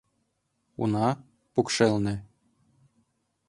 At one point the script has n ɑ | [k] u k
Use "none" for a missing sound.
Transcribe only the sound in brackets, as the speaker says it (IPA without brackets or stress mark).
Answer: p